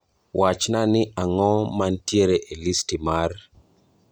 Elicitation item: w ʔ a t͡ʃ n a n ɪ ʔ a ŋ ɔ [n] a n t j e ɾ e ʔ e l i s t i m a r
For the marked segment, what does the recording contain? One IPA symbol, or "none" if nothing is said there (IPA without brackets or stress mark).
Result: m